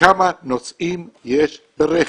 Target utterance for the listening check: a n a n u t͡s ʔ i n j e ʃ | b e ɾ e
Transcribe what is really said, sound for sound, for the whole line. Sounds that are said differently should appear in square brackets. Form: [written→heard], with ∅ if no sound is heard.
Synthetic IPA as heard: a [n→m] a n [u→o] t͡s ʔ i [n→m] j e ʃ | b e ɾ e